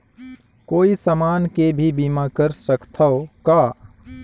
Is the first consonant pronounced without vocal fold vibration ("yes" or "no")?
yes